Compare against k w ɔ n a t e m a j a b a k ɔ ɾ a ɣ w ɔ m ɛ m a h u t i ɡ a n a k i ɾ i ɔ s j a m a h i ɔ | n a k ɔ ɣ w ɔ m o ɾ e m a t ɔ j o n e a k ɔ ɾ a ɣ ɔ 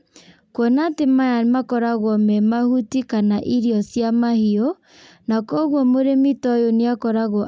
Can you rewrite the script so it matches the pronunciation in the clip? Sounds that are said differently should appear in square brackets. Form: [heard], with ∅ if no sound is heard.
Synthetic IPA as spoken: k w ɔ n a t e m a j a [m] a k ɔ ɾ a ɣ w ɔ m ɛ m a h u t i [k] a n a [ʔ] i ɾ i ɔ s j a m a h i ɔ | n a k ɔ ɣ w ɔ m o ɾ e m [i] t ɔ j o n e a k ɔ ɾ a ɣ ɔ